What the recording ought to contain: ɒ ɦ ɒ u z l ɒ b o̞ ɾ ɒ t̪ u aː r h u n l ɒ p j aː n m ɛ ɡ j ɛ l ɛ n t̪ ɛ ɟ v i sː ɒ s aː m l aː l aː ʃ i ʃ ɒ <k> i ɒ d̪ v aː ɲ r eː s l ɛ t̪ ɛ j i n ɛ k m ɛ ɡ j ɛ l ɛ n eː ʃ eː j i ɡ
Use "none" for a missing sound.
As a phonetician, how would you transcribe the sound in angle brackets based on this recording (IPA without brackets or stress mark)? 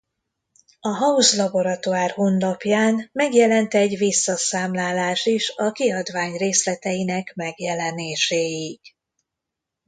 k